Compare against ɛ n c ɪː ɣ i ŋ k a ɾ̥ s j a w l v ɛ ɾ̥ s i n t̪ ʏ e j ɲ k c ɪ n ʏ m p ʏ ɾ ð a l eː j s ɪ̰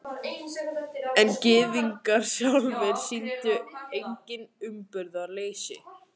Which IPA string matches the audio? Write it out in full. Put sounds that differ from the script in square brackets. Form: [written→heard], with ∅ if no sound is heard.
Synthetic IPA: ɛ n c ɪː [ɣ→ð] i ŋ k a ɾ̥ s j a w l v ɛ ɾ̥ s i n t̪ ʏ e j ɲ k c ɪ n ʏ m p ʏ ɾ ð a l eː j s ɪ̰

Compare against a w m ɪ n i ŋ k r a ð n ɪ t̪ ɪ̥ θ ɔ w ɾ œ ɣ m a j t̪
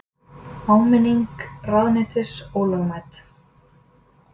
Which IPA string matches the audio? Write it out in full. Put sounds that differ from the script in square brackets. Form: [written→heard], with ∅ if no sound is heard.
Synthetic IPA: a w m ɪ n i ŋ k r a ð n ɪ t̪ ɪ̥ [θ→s] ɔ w [ɾ→l] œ ɣ m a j t̪

